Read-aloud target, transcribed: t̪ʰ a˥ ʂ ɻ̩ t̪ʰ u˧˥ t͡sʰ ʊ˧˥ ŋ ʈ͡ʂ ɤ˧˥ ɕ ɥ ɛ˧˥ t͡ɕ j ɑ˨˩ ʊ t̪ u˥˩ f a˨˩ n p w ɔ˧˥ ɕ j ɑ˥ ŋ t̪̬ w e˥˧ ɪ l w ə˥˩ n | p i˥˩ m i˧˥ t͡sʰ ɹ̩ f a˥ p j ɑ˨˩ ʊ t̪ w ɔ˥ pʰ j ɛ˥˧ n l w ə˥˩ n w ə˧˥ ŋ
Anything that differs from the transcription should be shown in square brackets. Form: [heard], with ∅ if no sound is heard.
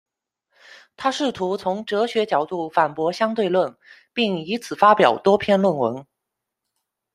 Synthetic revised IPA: t̪ʰ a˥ ʂ ɻ̩ t̪ʰ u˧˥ t͡sʰ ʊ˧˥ ŋ ʈ͡ʂ ɤ˧˥ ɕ ɥ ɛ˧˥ t͡ɕ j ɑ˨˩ ʊ t̪ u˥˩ f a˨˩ n p w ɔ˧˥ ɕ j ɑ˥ ŋ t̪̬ w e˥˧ ɪ l w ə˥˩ n | p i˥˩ [ŋ] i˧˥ t͡sʰ ɹ̩ f a˥ p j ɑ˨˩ ʊ t̪ w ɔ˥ pʰ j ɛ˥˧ n l w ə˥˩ n w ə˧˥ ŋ